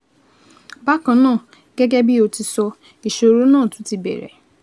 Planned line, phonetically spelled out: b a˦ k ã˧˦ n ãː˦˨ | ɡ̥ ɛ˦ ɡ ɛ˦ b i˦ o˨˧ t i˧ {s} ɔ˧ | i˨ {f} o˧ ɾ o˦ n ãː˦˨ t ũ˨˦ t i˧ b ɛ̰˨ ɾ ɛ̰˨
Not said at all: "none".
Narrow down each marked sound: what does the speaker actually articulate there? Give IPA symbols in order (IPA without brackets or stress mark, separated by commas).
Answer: s, ʃ